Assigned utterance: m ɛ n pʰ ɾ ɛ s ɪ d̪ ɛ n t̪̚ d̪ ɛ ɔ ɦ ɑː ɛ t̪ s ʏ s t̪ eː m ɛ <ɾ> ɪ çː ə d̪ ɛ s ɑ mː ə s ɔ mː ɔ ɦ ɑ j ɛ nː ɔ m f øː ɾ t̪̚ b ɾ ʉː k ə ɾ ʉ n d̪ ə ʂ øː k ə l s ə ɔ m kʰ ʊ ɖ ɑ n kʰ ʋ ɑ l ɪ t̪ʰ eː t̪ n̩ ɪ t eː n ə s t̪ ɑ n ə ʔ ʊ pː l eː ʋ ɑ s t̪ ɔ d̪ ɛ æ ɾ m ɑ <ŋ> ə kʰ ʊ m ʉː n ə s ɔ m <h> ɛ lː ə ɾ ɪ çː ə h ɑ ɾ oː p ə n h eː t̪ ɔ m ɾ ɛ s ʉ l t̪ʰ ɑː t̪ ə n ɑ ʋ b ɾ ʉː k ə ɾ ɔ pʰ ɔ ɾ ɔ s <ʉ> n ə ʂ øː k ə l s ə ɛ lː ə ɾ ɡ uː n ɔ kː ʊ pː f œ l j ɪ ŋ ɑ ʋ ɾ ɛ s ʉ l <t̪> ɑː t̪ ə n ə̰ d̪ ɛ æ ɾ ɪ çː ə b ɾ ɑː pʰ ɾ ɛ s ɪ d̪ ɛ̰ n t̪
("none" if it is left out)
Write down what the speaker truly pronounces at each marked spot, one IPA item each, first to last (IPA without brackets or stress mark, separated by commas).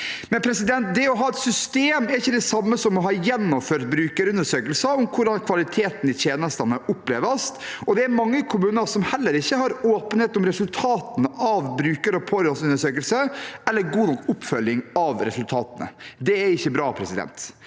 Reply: ɾ, ŋː, h, ʉ, t̪ʰ